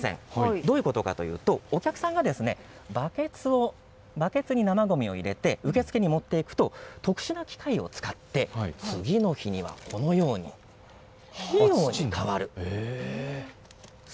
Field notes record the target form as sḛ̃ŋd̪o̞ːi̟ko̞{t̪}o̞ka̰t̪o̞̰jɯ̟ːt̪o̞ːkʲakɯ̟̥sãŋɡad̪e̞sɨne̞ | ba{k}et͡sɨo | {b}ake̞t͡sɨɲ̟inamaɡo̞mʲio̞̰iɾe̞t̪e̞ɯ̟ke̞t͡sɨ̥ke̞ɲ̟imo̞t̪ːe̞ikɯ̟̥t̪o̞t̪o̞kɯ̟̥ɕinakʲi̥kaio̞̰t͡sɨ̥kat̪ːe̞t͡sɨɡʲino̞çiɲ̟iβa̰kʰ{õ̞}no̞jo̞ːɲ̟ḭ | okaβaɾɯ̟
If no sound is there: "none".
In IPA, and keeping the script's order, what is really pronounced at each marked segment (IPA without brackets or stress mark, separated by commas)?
t̪, k, b, o̞